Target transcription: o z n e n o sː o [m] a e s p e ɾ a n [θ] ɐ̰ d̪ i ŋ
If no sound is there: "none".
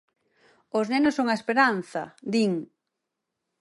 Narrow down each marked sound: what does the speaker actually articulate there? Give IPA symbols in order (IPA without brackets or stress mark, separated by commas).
ŋ, θ